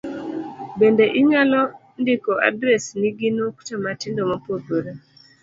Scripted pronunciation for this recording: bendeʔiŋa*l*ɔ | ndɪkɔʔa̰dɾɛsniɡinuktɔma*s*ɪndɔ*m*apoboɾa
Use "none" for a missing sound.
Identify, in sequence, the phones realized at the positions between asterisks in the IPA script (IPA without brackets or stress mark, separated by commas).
l, t, m